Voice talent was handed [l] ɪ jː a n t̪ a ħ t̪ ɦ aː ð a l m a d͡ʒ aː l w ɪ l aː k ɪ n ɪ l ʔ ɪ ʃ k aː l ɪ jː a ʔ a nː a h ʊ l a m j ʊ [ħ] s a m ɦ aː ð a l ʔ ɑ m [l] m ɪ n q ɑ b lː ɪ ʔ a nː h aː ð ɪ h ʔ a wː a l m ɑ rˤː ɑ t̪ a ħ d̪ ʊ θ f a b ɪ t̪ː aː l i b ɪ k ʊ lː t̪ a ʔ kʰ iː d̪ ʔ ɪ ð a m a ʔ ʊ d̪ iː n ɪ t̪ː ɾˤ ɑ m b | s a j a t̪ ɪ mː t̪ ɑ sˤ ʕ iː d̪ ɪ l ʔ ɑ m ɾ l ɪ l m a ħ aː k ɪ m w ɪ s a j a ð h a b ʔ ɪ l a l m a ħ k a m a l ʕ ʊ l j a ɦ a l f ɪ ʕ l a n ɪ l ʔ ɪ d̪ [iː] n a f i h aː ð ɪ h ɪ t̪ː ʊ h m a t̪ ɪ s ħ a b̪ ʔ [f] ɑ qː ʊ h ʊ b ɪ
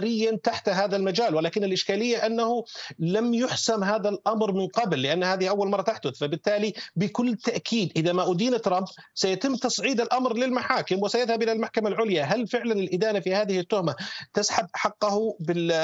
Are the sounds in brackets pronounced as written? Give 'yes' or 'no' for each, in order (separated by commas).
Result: no, yes, no, no, no